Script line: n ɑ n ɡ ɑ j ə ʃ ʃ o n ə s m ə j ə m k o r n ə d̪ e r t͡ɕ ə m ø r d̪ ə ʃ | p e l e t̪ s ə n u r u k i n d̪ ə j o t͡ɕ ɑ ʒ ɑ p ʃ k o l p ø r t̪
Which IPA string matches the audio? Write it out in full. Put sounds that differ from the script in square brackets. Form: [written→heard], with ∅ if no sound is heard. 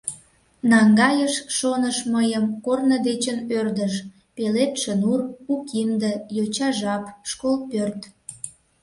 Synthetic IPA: n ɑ [n→ŋ] ɡ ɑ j ə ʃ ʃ o n ə [s→ʃ] m ə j ə m k o r n ə d̪ e [r→∅] t͡ɕ ə [m→n] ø r d̪ ə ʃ | p e l e t̪ [s→ʃ] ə n u r u k i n d̪ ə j o t͡ɕ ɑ ʒ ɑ p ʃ k o l p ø r t̪